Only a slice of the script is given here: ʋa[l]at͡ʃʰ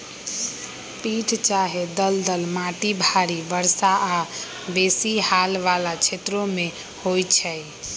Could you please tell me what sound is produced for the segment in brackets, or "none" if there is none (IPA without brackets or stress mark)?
l